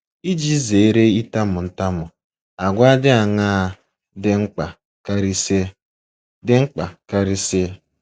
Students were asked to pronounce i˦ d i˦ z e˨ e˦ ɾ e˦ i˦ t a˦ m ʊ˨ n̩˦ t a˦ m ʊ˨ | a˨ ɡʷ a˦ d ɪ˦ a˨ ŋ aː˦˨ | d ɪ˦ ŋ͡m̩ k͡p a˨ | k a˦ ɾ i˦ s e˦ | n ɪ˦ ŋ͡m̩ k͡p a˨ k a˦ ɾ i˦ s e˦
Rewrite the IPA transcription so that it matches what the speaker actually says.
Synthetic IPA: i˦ d͡ʒ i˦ z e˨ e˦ ɾ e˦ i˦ t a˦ m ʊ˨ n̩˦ t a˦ m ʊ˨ | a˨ ɡʷ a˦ d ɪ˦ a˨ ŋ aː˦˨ | d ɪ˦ ŋ͡m̩ k͡p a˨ | k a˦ ɾ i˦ s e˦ | d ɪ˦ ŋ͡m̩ k͡p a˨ k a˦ ɾ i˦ s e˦